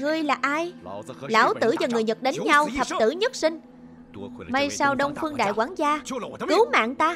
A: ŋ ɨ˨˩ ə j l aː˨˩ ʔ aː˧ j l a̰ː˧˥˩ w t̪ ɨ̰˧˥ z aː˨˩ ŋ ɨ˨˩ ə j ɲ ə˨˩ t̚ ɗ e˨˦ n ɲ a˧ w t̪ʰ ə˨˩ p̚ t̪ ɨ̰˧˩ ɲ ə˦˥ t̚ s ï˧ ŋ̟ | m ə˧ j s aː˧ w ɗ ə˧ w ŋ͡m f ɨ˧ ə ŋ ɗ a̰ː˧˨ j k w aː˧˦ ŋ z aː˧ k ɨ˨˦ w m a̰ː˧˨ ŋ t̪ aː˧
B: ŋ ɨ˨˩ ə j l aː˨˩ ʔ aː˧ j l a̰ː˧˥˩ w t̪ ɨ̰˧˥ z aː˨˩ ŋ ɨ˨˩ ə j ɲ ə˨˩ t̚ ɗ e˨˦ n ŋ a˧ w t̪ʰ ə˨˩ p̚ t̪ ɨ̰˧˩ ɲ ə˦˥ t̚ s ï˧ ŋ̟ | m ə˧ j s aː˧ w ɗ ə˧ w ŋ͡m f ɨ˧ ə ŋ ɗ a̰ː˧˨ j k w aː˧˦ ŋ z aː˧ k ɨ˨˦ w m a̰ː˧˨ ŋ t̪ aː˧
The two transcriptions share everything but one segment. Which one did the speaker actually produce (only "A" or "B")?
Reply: A